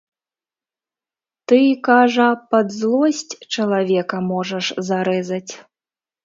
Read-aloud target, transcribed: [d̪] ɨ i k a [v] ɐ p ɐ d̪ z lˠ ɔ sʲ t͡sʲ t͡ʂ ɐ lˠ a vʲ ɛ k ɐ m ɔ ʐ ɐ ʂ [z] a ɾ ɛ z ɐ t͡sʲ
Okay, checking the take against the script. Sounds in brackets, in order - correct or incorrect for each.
incorrect: t̪, incorrect: ʐ, correct

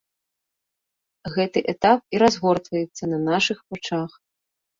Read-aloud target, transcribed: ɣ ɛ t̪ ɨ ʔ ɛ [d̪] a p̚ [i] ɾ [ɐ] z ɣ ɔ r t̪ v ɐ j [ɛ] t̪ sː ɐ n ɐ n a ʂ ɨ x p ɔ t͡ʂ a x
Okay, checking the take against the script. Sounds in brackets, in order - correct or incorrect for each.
incorrect: t̪, correct, incorrect: a, correct

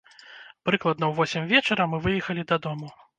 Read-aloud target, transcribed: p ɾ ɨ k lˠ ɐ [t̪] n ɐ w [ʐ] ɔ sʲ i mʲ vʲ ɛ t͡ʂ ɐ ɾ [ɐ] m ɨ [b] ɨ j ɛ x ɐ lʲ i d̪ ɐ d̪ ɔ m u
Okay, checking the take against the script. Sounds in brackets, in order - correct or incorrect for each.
incorrect: d̪, incorrect: v, correct, incorrect: v

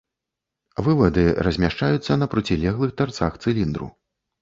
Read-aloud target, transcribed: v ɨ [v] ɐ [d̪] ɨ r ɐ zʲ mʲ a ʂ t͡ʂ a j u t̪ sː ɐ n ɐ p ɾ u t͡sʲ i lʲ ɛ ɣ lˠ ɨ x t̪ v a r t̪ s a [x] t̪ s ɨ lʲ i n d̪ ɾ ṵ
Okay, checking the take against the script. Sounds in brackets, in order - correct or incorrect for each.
correct, correct, correct

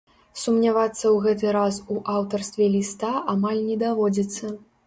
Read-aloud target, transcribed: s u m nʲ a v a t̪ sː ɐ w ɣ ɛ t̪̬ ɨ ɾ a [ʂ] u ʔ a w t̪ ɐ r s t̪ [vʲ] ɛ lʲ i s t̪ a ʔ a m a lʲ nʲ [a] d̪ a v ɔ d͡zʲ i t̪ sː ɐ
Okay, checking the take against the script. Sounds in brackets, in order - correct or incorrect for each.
incorrect: s, correct, incorrect: ɛ

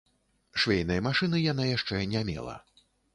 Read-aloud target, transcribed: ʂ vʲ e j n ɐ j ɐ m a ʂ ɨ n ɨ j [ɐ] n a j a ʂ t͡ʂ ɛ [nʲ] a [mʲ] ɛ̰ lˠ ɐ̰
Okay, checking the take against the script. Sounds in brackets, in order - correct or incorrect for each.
incorrect: a, correct, correct

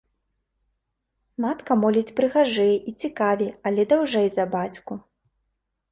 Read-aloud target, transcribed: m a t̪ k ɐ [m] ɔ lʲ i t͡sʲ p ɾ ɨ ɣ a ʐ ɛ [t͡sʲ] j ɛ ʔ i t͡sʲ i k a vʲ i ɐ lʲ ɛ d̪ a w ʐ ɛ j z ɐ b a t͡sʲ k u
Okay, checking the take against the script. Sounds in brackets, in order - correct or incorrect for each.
correct, incorrect: none

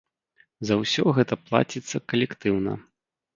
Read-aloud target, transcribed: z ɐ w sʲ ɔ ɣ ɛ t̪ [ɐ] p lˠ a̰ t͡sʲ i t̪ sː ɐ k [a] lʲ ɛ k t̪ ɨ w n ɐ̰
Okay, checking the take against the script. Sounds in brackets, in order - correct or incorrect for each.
correct, incorrect: ɐ

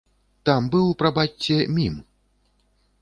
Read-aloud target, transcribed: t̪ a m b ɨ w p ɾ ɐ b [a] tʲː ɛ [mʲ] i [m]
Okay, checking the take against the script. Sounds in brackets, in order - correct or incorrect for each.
correct, correct, correct

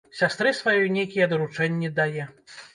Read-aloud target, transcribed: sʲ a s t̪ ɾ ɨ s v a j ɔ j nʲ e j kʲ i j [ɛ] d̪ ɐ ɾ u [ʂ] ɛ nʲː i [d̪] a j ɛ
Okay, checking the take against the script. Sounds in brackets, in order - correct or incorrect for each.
correct, incorrect: t͡ʂ, correct

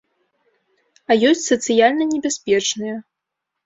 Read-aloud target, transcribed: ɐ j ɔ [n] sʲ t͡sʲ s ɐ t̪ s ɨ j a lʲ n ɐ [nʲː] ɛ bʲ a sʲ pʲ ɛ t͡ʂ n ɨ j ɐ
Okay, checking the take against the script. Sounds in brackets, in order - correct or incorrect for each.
incorrect: none, incorrect: nʲ

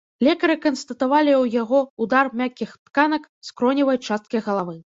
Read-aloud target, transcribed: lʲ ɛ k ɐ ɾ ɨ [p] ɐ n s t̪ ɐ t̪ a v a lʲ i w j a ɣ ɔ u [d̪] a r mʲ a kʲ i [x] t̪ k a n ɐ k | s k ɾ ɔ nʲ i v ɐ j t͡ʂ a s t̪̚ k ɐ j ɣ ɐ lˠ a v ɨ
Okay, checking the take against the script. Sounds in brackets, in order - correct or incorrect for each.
incorrect: k, correct, correct

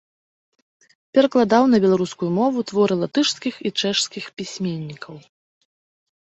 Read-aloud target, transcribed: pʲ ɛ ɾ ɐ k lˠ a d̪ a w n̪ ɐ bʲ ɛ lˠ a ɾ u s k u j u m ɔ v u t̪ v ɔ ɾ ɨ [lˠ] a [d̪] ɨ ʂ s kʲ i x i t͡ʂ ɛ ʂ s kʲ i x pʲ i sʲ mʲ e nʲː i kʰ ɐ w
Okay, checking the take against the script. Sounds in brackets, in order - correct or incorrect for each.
correct, incorrect: t̪

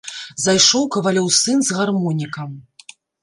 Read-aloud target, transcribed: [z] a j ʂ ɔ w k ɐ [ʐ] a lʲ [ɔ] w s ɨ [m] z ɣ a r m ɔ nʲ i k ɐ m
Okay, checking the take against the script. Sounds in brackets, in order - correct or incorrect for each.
correct, incorrect: v, correct, incorrect: n

